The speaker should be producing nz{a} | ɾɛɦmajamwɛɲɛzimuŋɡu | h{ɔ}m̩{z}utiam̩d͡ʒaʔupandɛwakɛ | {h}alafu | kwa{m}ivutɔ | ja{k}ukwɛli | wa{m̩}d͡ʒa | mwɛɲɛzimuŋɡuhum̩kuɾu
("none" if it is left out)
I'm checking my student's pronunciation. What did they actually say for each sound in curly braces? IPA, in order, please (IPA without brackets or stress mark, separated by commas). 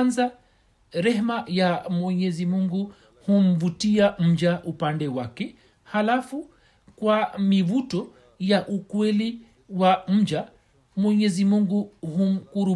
a, u, v, h, m, ʔ, m̩